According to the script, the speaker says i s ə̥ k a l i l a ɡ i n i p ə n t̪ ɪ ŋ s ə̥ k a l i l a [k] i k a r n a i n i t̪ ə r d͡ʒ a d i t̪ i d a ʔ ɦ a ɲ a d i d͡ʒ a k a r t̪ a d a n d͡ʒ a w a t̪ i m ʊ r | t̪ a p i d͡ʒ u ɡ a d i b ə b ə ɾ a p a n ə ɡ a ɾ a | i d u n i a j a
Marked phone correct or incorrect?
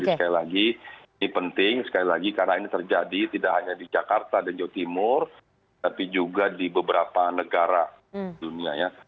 incorrect